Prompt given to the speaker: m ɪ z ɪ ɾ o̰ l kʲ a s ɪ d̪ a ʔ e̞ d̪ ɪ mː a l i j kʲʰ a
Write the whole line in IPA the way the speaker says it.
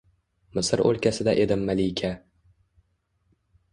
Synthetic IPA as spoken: m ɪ s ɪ ɾ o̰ l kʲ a s ɪ d̪ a ʔ e̞ d̪ ɪ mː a l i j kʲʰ a

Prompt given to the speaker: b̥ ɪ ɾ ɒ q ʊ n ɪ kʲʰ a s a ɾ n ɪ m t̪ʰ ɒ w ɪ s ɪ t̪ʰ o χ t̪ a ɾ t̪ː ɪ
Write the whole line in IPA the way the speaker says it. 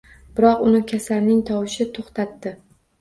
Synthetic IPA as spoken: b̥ ɪ ɾ ɒ q ʊ n ɪ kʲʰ a s a ɾ n ɪ ŋ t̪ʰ ɒ w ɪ ʃ ɪ t̪ʰ o χ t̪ a t̪ː ɪ

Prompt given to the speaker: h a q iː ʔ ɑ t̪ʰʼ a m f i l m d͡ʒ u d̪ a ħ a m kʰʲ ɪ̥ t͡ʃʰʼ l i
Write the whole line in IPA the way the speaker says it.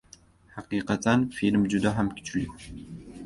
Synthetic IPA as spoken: ħ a q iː q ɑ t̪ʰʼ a n f i l m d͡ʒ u d̪ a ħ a m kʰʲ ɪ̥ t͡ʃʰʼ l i

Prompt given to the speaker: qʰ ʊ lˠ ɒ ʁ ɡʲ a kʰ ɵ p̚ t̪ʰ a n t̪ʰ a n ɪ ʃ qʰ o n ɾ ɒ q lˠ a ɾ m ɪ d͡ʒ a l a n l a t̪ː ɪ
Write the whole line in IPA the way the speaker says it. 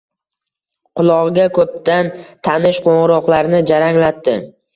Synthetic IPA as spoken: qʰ ʊ lˠ ɒ ʁ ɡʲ a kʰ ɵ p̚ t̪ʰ a n t̪ʰ a n ɪ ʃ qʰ o ɴ ɾ ɒ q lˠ a ɾ n ɪ d͡ʒ a ɾ a ŋ l a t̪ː ɪ

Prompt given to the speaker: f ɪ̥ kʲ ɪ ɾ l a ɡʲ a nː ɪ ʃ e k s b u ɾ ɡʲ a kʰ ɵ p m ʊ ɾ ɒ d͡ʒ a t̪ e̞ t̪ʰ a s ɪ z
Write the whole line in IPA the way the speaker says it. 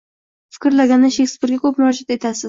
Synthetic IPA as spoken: f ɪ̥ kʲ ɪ ɾ l a ɡʲ a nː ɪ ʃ e k s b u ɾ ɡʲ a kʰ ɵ p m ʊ ɾ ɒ d͡ʒ a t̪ e̞ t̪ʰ a s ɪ z

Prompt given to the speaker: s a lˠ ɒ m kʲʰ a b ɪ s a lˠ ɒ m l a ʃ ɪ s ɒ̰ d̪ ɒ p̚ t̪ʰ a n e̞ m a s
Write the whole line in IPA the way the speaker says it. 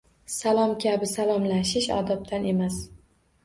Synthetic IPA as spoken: s a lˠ ɒ m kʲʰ a b ɪ s a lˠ ɒ m l a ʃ ɪ ʃ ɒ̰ d̪ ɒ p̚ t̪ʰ a n e̞ m a s

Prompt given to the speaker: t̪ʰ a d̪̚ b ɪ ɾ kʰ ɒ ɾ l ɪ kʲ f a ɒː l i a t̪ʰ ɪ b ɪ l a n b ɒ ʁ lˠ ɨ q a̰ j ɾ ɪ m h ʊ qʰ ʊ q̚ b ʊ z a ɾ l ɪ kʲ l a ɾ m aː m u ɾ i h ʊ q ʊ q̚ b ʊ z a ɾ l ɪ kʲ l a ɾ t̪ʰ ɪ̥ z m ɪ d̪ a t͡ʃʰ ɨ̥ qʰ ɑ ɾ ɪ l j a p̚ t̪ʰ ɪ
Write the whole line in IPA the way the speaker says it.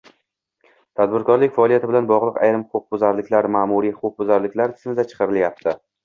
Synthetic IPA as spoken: t̪ʰ a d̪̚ b ɪ ɾ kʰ ɒ ɾ l ɪ kʲ f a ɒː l i a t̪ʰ ɪ b ɪ l a n b ɒ ʁ lˠ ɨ q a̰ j ɾ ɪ m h ʊ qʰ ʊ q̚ b ʊ z a ɾ l ɪ kʲ l a ɾ m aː m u ɾ i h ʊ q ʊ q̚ b ʊ z a ɾ l ɪ kʲ l a ɾ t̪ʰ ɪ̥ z m ɪ d̪ a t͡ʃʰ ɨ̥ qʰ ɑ ɾ ɪ l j a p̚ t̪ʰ ɪ

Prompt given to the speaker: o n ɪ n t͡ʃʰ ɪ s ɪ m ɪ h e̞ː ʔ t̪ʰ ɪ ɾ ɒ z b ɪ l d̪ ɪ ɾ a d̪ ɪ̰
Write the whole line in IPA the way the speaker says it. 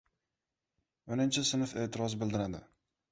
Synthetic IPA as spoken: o n ɪ n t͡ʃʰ ɪ s ɪ n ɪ f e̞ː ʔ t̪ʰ ɪ ɾ ɒ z b ɪ l d̪ ɪ ɾ a d̪ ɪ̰

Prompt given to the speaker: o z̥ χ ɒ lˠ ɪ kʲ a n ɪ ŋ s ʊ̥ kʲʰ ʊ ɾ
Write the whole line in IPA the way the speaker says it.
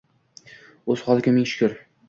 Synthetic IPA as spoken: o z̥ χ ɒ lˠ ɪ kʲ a m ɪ ŋ ʃ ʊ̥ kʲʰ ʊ ɾ

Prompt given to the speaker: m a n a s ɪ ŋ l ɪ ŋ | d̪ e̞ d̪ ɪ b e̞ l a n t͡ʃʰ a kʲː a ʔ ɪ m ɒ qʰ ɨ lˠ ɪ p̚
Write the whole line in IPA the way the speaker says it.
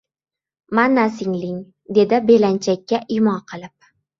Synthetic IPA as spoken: m a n a s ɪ ŋ l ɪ ŋ | d̪ e̞ d̪ ɪ b e̞ l a n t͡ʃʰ a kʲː a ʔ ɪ m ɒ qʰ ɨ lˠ ɪ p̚

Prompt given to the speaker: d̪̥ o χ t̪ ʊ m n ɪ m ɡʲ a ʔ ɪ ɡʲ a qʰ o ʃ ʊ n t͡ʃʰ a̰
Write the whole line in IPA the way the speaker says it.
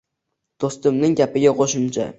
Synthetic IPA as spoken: d̪̥ o s t̪ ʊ m n ɪ ŋ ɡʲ a p ɪ ɡʲ a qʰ o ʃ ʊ m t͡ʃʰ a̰

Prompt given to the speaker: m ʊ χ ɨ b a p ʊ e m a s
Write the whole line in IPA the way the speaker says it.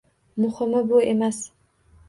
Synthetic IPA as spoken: m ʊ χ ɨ m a b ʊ e m a s

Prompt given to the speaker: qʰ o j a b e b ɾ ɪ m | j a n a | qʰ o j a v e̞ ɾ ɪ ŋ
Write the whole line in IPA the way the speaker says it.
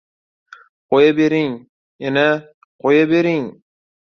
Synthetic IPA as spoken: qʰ o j a b e ɾ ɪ ŋ | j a n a | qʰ o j a b e̞ ɾ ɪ ŋ

